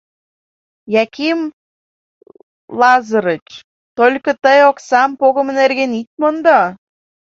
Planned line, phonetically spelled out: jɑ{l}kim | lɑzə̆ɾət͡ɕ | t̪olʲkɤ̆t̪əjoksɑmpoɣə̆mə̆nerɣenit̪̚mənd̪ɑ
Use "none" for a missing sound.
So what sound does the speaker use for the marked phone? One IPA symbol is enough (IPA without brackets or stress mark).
none